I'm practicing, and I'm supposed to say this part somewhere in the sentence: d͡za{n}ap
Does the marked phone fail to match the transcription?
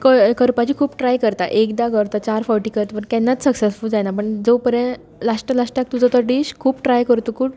no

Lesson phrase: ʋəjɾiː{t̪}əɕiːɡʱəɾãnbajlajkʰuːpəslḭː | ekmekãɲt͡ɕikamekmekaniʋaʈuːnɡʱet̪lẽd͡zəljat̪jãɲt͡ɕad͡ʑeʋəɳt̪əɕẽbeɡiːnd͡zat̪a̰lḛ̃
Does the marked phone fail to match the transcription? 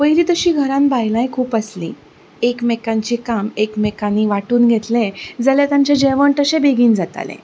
no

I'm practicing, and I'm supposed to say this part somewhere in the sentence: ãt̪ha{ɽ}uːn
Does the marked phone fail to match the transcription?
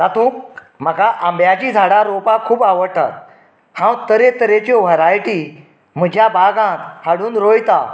no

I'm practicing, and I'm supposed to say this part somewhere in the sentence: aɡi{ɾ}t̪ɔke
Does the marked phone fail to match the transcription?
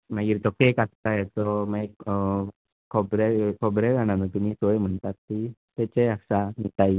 no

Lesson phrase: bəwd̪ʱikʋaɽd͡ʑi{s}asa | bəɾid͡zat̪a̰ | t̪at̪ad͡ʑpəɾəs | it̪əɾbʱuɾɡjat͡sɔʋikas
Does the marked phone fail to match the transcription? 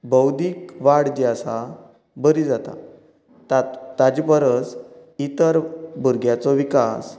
yes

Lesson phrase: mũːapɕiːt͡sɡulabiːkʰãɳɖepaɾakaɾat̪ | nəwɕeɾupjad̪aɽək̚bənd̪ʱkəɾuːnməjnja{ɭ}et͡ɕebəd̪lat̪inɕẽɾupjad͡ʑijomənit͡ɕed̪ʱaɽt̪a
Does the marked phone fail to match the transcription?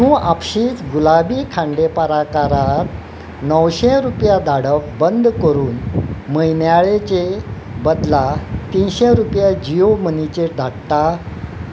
no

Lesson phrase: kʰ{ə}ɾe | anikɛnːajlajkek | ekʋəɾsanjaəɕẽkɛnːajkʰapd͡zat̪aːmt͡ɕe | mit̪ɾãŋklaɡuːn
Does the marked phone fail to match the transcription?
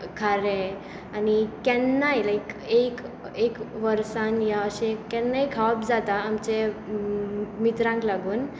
yes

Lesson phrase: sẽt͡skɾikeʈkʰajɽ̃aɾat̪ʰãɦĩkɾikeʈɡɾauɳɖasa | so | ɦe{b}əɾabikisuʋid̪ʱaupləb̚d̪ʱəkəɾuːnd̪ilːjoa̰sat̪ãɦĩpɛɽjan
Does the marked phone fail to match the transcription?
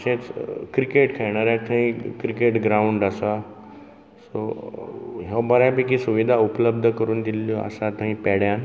no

